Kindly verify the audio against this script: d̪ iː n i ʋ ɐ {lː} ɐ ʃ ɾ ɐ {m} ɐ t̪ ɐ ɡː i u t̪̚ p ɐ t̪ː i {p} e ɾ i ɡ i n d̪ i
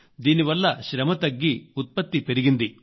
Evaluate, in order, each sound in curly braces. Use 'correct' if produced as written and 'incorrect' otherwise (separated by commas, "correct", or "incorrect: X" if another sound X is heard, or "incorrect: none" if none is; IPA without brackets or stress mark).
correct, correct, correct